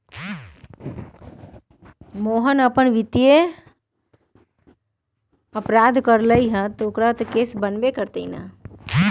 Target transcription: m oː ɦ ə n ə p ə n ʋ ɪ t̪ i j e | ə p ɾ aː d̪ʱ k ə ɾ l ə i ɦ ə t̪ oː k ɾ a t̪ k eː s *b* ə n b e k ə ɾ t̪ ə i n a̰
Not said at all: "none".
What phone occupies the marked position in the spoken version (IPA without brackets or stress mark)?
b